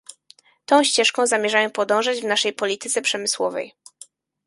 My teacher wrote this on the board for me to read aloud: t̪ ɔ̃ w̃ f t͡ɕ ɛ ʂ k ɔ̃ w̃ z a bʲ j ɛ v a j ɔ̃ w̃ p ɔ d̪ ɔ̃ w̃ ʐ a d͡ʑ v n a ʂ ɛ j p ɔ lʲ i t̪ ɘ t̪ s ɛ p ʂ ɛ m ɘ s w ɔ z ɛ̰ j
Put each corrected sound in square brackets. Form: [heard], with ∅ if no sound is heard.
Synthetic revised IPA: t̪ ɔ̃ w̃ [ɕ] t͡ɕ ɛ ʂ k ɔ̃ w̃ z a [mʲ] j ɛ [ʐ] a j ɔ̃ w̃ p ɔ d̪ ɔ̃ w̃ ʐ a d͡ʑ v n a ʂ ɛ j p ɔ lʲ i t̪ ɘ t̪ s ɛ p ʂ ɛ m ɘ s w ɔ [v] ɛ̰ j